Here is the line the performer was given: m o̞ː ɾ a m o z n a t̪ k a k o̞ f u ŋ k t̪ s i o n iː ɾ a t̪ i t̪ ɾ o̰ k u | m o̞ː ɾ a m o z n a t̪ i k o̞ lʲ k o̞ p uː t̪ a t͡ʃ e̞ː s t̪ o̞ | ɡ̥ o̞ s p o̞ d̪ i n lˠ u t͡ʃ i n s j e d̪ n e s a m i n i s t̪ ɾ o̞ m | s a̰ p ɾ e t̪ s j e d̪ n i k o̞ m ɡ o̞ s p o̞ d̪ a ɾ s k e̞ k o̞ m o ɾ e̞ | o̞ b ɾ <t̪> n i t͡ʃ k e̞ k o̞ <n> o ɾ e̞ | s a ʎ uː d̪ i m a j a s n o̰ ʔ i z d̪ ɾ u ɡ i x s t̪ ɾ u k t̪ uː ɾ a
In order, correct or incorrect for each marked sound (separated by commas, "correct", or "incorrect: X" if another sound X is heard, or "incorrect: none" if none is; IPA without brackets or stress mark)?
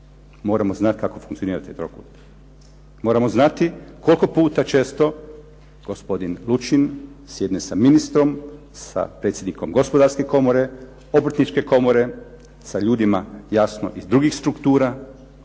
correct, incorrect: m